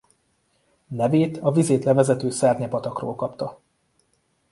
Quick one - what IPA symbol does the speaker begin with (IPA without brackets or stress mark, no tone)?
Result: n